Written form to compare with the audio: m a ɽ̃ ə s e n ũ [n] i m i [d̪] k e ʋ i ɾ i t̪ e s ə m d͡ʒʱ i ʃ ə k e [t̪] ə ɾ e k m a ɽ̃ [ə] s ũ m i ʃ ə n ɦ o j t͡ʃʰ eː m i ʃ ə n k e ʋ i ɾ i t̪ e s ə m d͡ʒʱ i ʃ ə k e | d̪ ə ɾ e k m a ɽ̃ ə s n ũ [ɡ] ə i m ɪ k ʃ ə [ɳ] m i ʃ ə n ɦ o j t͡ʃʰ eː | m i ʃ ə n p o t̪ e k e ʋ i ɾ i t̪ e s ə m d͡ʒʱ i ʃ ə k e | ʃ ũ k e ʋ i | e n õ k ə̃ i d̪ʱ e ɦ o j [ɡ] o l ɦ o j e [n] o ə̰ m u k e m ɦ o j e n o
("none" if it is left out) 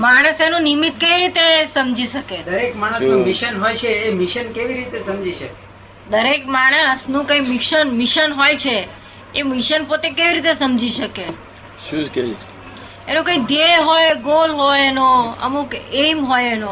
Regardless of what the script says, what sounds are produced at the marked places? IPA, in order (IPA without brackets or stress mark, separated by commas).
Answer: n, t̪, d̪, ə, k, n, ɡ, n